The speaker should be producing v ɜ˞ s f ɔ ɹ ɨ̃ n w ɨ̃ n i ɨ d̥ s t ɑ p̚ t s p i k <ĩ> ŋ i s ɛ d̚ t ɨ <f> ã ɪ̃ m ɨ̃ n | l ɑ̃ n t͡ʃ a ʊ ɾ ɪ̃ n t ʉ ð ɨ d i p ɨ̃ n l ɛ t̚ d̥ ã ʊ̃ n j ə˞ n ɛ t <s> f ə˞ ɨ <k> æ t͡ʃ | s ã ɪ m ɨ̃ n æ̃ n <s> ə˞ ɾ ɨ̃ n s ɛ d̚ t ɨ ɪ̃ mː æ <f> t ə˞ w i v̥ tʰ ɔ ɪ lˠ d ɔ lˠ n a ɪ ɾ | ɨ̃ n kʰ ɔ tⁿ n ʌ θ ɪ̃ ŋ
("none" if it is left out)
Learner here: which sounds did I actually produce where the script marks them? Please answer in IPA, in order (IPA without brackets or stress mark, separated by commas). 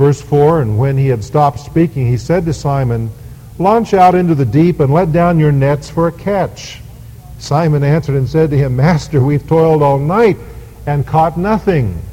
ɪ̃, s, s, kʰ, s, s